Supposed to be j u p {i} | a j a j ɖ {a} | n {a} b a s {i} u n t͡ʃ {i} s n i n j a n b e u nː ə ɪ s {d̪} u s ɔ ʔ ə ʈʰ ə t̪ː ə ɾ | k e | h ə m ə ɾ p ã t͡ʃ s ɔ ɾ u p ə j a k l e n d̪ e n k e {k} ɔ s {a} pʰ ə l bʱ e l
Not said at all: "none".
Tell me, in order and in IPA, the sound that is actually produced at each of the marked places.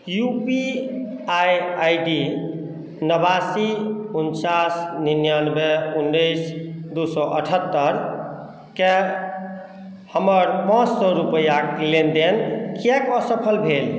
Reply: i, i, ə, i, a, d̪, k, ə

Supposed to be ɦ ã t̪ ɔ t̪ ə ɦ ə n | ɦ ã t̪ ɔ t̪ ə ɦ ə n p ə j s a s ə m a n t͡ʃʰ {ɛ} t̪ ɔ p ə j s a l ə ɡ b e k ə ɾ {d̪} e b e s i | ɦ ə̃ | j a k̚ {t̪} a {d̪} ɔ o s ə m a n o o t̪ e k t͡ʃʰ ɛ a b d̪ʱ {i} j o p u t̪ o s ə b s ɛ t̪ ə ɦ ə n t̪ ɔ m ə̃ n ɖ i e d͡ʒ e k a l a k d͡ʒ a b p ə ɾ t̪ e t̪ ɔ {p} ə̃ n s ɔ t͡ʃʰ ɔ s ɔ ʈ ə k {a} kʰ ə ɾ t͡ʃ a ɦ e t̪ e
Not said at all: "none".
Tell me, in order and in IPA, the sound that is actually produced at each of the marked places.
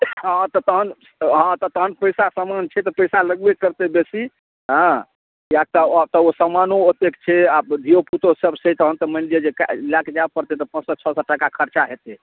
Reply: ɛ, t̪, t̪, t̪, i, p, a

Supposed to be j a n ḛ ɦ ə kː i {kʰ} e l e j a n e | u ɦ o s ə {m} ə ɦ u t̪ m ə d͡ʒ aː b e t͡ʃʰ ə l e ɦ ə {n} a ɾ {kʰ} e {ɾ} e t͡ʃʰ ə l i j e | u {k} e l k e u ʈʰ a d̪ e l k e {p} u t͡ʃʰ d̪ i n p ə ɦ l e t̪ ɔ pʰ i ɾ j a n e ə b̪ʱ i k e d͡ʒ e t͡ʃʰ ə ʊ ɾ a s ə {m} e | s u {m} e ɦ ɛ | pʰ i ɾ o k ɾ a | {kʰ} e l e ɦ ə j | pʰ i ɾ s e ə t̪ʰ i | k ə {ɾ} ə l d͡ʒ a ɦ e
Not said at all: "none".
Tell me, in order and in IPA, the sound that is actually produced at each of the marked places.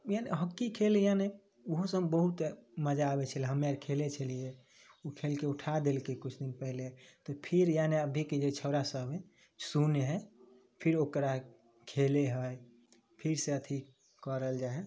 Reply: kʰ, b, m, kʰ, l, kʰ, k, b, n, kʰ, ɾ

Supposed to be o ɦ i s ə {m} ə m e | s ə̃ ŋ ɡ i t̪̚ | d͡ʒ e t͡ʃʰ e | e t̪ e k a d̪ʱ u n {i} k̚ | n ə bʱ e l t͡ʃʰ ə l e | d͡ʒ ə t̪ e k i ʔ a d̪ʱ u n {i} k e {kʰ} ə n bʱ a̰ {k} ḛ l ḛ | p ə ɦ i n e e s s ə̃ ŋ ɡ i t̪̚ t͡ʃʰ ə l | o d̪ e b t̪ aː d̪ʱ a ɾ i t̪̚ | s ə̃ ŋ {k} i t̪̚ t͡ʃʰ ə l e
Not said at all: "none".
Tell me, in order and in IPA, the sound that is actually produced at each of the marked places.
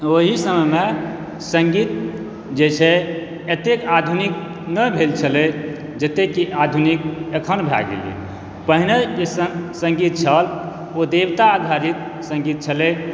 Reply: m, i, i, kʰ, ɡ, ɡ

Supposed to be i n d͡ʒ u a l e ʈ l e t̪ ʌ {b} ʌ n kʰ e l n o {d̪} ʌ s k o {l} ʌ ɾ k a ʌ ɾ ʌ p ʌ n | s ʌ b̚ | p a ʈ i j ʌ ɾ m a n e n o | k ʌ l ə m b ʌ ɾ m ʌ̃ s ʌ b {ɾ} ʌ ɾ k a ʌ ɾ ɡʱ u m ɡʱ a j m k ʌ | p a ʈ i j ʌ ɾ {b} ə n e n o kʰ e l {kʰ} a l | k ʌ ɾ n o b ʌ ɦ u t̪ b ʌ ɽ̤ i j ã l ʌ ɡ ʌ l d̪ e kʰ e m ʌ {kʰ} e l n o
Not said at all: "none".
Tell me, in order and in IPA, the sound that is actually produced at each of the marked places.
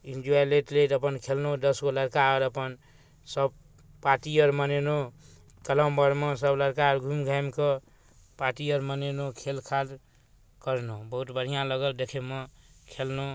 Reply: p, d̪, l, l, m, kʰ, kʰ

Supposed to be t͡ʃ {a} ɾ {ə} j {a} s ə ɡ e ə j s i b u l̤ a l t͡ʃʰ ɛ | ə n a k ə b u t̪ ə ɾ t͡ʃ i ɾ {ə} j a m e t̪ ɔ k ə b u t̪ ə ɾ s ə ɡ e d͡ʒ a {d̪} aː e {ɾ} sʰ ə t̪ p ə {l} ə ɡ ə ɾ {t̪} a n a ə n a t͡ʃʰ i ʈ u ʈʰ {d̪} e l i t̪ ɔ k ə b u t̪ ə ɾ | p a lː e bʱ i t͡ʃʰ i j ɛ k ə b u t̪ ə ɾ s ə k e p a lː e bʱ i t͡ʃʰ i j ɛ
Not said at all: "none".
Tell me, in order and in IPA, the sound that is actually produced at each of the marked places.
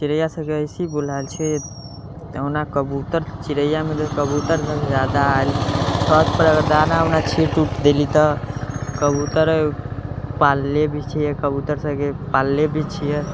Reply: i, ə, a, ə, d̪, l, ɾ, d̪, d̪

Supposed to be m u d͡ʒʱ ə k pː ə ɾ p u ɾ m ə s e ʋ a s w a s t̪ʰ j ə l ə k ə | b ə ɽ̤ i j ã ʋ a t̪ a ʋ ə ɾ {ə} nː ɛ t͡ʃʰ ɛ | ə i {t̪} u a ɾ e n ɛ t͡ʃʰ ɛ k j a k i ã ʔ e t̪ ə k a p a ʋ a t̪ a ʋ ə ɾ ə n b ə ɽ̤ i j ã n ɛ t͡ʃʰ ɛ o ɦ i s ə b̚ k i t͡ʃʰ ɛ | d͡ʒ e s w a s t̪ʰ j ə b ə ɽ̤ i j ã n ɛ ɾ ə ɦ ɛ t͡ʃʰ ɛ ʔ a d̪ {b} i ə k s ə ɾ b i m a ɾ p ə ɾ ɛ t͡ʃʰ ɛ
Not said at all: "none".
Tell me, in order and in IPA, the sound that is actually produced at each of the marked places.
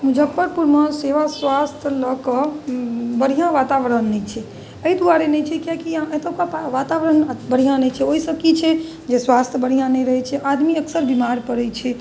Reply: ə, d̪, m

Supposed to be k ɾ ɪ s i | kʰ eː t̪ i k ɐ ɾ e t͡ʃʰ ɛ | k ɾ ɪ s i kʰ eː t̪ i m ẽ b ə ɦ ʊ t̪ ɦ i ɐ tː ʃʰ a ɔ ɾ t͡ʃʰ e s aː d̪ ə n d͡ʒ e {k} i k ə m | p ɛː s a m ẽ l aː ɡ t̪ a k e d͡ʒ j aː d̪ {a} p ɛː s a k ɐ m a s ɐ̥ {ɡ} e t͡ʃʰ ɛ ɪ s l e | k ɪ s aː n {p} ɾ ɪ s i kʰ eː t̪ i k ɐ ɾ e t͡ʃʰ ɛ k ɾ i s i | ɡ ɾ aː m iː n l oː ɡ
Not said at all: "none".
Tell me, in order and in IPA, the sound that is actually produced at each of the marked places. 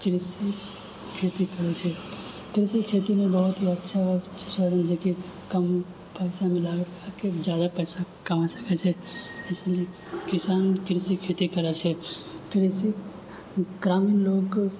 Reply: k, a, k, k

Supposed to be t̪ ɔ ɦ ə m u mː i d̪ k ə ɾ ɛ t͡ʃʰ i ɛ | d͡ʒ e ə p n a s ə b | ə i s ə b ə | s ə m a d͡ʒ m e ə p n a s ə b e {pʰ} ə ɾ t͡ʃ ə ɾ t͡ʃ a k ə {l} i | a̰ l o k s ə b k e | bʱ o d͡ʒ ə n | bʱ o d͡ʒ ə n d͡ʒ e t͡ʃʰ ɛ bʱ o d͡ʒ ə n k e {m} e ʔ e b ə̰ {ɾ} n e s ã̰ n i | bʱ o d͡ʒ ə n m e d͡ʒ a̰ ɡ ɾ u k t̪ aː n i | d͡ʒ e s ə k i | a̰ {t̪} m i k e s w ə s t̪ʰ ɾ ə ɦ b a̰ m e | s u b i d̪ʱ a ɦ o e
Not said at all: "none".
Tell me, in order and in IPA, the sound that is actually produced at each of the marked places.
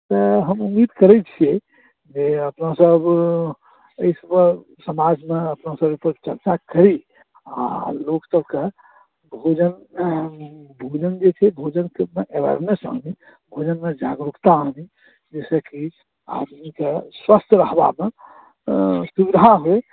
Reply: p, ɾ, m, ɾ, d̪

